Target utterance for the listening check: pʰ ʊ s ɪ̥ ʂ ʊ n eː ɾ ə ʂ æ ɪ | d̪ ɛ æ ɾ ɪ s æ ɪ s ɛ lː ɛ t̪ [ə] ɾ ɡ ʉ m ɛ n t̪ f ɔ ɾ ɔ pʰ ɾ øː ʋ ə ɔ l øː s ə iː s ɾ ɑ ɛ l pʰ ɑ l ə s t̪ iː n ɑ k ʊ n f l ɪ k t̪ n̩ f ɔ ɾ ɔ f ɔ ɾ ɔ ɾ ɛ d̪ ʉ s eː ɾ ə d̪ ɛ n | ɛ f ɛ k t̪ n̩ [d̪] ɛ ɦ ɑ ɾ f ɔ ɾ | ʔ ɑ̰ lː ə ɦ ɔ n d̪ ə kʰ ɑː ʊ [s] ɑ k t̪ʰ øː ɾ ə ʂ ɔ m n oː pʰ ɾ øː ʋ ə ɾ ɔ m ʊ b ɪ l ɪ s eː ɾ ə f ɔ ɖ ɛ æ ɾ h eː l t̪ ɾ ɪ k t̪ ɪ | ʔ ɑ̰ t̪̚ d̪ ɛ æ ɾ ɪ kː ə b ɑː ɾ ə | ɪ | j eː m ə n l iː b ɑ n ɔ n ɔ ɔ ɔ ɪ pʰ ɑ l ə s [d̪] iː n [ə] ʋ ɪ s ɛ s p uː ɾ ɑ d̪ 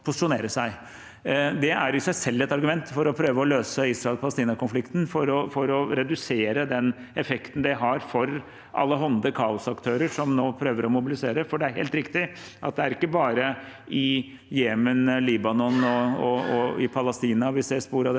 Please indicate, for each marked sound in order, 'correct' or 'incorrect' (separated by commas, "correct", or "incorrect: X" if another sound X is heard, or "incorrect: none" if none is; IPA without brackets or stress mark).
incorrect: ɑ, correct, correct, incorrect: t̪, incorrect: ɑ